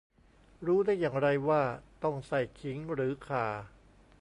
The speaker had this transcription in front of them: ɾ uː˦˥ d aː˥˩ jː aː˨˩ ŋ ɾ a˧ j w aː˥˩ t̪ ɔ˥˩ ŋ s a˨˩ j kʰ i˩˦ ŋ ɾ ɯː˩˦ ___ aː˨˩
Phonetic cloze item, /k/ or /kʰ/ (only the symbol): kʰ